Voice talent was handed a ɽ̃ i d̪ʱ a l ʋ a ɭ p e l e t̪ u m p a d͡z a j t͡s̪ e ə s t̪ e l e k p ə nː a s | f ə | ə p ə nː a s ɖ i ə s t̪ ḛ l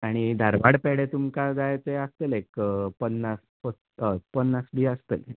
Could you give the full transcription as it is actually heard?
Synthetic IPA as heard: a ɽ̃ i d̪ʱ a ɾ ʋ a ɽ p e ɽ e t̪ u m k a d͡z a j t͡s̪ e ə s t̪ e l e k p ə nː a s | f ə | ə p ə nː a s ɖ i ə s t̪ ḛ l